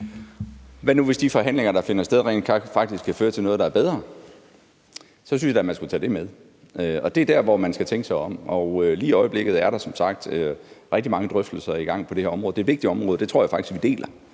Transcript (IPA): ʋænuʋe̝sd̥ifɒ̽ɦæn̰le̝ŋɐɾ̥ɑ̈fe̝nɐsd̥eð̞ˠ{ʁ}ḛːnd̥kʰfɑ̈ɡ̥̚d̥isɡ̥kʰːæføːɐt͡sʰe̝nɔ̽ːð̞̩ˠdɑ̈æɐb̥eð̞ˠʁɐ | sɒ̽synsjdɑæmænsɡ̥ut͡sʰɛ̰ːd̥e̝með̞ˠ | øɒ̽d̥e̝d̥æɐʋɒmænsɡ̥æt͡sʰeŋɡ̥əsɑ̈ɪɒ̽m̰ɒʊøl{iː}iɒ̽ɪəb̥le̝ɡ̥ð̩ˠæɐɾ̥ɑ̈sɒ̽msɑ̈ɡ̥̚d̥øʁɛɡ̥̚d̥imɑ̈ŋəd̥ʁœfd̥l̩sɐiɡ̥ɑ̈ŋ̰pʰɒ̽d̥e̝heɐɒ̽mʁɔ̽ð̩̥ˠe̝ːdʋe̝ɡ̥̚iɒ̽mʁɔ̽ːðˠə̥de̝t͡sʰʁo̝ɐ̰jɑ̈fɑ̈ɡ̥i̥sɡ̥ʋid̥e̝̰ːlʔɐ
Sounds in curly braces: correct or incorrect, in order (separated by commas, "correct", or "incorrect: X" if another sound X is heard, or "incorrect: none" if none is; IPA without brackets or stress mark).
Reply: correct, correct